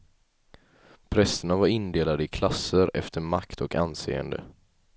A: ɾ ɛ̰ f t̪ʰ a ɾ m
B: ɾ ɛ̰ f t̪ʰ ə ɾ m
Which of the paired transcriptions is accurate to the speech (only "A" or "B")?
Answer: B